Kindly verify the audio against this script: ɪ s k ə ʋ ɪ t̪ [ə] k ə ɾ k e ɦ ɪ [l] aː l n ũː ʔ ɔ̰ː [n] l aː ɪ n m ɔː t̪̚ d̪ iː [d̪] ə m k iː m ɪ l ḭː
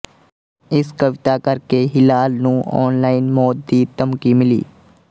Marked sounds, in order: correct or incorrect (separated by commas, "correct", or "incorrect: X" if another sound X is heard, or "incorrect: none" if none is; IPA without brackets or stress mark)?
incorrect: a, correct, correct, incorrect: t̪